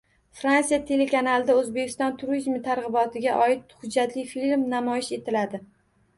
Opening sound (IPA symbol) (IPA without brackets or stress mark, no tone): f